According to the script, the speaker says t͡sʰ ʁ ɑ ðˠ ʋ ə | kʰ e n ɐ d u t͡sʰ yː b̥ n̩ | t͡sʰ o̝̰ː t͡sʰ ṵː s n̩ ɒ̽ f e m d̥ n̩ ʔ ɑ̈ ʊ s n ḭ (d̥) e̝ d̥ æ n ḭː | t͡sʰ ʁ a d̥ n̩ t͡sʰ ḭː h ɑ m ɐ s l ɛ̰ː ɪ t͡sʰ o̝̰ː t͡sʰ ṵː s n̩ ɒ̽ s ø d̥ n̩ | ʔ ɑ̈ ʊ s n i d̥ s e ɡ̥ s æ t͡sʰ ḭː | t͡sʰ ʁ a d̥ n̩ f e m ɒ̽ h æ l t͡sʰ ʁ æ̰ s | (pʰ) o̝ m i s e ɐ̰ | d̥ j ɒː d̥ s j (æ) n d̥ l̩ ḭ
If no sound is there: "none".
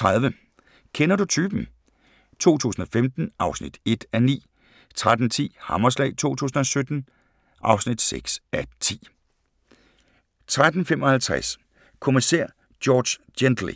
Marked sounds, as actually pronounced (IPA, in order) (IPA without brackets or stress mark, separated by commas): d̥, kʰ, e